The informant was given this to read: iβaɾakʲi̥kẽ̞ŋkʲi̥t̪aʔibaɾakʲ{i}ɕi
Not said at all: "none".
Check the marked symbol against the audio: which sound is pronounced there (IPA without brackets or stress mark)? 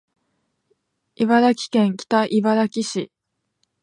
i